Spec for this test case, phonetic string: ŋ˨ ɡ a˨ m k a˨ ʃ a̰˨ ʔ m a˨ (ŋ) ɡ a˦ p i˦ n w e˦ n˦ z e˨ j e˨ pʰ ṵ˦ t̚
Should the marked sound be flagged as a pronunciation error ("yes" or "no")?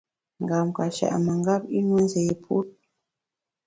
no